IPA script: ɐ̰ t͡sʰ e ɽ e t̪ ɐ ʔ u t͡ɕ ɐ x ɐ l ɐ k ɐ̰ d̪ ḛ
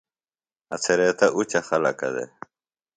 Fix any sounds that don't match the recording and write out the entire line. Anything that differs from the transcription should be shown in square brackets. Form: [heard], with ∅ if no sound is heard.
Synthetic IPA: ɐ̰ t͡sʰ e [ɾ] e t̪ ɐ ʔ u t͡ɕ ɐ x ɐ l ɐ k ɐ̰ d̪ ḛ